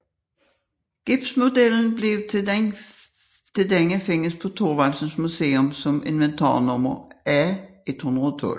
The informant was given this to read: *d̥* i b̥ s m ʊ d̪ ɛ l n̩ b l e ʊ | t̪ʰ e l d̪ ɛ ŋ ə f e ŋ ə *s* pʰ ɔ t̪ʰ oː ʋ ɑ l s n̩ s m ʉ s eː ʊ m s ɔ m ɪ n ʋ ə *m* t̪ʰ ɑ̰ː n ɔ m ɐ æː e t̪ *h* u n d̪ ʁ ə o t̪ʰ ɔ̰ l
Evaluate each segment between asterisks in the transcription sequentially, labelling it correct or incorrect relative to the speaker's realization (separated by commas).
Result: incorrect, correct, incorrect, correct